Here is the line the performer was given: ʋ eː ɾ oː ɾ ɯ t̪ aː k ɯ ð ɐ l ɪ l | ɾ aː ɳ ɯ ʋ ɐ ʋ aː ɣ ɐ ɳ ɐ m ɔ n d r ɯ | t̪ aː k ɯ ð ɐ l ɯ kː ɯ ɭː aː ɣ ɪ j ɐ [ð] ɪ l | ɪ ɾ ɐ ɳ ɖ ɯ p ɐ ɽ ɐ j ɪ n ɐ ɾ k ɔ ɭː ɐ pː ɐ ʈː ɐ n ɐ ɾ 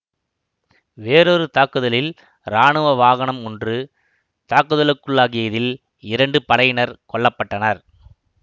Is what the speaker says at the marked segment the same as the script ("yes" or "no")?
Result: yes